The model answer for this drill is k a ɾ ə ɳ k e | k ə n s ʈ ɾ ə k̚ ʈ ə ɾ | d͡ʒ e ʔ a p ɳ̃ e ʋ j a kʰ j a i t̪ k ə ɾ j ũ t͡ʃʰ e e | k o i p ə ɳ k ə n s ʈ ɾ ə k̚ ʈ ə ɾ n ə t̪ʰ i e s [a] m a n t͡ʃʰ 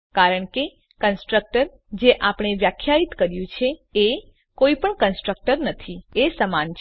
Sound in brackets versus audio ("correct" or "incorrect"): incorrect